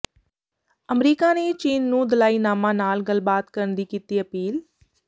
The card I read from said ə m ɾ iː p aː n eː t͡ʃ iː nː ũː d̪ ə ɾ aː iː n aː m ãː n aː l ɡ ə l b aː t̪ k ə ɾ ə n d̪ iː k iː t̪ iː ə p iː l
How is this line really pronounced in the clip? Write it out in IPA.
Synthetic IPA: ə m ɾ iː k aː n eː t͡ʃ iː nː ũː d̪ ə l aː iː n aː m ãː n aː l ɡ ə l b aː t̪ k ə ɾ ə n d̪ iː k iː t̪ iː ə p iː l